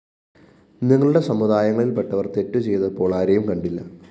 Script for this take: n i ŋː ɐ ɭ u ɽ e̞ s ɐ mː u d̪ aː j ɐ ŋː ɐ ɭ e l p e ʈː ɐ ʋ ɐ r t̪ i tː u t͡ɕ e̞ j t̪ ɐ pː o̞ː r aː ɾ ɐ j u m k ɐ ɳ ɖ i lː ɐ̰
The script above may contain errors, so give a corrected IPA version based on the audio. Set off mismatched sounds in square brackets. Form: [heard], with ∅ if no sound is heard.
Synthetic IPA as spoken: n i ŋː ɐ ɭ u ɽ e̞ s ɐ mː u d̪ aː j ɐ ŋː ɐ ɭ [i] l p e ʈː ɐ ʋ ɐ r t̪ [e] tː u t͡ɕ e̞ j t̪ ɐ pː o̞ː [ɭ] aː ɾ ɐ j u m k ɐ ɳ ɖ i lː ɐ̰